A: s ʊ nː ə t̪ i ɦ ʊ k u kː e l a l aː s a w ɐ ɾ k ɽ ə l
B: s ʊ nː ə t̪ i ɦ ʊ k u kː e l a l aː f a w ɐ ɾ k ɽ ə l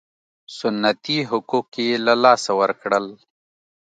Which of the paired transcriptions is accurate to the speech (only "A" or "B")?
A